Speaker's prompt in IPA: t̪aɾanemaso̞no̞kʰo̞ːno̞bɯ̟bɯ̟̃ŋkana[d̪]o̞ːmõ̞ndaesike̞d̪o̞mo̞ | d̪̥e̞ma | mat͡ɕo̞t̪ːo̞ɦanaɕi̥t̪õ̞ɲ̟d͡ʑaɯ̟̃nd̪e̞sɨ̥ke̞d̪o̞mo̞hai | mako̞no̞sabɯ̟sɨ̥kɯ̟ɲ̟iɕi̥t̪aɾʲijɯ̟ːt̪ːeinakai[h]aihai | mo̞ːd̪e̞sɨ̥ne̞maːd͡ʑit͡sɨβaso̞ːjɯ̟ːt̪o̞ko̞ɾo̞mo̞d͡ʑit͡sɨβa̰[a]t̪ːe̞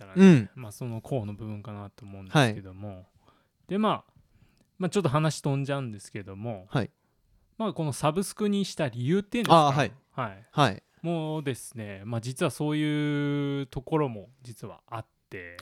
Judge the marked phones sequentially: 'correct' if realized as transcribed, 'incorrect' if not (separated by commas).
incorrect, correct, correct